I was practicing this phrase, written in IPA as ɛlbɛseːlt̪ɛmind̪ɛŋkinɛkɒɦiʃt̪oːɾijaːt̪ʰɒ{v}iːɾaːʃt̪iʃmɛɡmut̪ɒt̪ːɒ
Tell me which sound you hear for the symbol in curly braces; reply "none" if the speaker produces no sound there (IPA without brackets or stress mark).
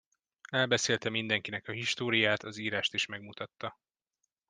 z